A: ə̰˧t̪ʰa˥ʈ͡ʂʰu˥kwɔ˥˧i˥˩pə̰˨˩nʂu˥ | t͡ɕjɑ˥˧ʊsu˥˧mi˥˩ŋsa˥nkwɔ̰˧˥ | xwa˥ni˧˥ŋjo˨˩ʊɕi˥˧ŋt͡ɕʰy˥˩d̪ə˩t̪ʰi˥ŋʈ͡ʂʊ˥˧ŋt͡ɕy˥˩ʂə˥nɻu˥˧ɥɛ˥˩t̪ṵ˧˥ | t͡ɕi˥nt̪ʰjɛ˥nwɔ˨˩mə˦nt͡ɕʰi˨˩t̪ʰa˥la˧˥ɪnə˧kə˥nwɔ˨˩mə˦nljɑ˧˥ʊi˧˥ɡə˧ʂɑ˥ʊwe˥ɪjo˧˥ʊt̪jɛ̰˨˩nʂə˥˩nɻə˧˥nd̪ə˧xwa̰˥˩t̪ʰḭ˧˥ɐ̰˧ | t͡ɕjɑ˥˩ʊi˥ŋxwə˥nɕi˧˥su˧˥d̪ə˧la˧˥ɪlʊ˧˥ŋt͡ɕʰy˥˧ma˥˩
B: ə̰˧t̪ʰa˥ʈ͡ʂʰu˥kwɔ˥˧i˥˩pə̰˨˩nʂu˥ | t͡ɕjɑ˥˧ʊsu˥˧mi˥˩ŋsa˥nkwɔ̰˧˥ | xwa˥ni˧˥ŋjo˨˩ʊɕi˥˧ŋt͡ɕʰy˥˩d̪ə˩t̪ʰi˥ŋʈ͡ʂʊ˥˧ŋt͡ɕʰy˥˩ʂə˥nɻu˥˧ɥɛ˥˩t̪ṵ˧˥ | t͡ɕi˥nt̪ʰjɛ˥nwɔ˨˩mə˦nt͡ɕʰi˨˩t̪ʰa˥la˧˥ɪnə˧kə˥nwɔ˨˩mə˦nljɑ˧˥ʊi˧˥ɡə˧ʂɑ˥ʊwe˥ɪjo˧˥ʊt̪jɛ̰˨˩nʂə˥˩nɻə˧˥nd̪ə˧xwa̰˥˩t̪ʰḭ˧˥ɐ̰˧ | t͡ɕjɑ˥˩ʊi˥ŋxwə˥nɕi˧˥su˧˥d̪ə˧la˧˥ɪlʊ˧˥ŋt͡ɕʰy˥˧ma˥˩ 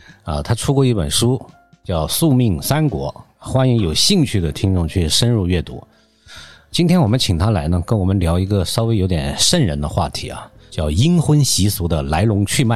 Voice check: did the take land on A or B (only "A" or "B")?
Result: B